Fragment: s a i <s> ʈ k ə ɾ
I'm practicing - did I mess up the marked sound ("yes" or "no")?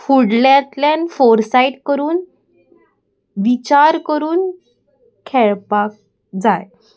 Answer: yes